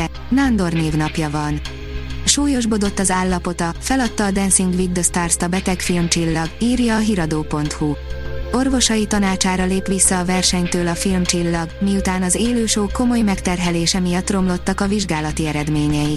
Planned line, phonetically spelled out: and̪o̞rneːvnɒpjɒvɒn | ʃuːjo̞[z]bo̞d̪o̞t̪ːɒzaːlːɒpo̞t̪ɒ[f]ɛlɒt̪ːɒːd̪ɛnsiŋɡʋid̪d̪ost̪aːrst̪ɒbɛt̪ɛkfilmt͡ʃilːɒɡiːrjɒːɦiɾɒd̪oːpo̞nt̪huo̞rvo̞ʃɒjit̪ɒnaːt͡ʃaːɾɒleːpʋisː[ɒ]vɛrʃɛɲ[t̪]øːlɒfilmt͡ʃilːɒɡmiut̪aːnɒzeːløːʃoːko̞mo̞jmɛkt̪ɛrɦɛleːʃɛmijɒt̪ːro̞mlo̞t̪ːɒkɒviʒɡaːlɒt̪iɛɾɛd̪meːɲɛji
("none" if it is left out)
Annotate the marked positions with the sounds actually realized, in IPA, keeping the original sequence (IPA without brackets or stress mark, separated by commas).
ʒ, f, ɒː, t̪